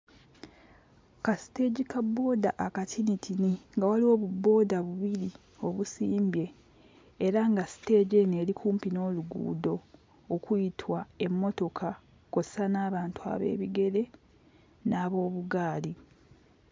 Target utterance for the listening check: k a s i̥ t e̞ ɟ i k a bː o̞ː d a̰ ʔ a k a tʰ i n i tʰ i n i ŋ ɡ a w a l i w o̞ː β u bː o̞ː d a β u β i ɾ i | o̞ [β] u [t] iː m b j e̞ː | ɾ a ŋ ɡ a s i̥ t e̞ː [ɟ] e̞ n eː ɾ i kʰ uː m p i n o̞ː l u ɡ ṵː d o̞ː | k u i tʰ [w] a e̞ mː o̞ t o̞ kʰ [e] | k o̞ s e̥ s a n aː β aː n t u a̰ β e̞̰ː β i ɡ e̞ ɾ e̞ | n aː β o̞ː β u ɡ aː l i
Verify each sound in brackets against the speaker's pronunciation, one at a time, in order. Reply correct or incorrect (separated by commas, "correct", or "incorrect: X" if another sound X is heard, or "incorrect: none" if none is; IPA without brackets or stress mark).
correct, incorrect: s, correct, correct, incorrect: a